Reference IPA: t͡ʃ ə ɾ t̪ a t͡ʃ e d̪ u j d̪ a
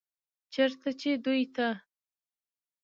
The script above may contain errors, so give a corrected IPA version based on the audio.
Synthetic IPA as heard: t͡ʃ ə ɾ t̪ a t͡ʃ e d̪ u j t̪ a